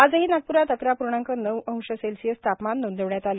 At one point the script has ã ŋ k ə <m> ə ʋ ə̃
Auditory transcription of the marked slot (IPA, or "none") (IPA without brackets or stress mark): n